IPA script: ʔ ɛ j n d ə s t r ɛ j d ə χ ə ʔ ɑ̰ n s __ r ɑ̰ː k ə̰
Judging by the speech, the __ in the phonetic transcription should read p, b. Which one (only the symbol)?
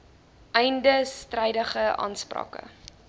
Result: p